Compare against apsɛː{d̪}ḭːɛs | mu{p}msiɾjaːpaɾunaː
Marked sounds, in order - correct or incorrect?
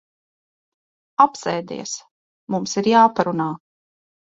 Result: correct, incorrect: none

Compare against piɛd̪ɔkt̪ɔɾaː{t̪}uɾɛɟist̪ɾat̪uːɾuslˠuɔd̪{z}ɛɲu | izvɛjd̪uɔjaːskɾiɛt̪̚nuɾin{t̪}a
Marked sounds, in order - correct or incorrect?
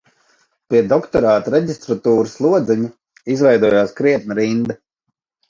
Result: correct, correct, incorrect: d̪

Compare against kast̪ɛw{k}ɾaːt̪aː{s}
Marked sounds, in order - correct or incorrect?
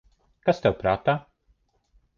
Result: incorrect: p, incorrect: none

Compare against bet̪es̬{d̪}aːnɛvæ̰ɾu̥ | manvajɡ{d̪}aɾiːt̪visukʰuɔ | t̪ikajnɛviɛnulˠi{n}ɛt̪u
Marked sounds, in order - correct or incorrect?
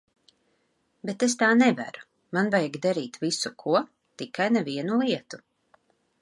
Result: incorrect: t̪, correct, incorrect: none

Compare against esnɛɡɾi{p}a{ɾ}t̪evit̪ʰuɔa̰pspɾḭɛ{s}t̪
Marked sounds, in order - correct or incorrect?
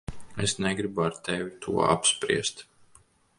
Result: incorrect: b, correct, correct

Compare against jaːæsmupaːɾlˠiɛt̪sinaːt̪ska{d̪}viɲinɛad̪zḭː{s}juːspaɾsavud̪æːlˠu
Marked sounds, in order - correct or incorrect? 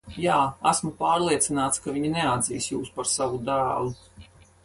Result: incorrect: none, correct

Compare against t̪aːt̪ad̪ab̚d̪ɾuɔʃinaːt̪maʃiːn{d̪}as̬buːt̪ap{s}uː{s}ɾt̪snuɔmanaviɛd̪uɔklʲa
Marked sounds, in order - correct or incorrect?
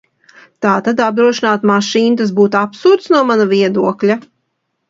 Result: incorrect: t̪, correct, incorrect: none

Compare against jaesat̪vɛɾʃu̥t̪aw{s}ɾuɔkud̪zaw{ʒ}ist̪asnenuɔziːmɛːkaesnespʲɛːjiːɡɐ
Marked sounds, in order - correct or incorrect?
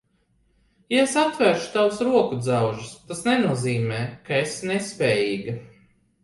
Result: correct, correct

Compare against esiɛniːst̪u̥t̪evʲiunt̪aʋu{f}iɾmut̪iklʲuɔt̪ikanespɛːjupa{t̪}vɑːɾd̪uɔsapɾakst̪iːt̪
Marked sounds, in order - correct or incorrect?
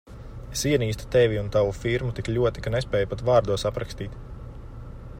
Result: correct, correct

